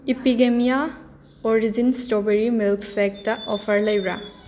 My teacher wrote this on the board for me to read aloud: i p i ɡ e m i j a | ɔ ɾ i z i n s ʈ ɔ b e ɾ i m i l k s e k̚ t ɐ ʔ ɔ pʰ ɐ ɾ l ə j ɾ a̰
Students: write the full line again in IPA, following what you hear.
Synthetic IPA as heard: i p i ɡ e m i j a | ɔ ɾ i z i n s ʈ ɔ b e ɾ i m i l k s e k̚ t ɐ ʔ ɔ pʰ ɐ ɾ l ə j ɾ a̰